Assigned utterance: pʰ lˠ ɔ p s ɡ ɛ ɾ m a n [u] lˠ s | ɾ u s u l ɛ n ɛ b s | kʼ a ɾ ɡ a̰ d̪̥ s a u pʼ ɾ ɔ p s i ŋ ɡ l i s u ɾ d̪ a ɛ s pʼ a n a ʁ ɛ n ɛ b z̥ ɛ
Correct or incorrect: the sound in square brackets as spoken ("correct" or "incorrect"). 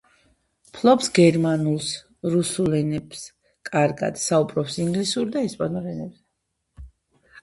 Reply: correct